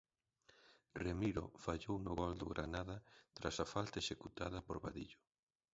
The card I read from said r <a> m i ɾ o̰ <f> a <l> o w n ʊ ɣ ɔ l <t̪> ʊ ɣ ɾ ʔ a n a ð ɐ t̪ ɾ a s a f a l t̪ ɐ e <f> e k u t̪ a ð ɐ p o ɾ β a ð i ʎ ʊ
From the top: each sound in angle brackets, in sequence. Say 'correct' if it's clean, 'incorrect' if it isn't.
incorrect: e, correct, incorrect: ʎ, incorrect: d̪, incorrect: ʃ

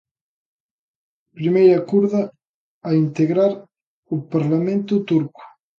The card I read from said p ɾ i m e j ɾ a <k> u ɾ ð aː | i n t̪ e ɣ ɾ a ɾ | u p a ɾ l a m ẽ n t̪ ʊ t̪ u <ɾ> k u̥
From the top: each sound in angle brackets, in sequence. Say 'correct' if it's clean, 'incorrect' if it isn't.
correct, correct

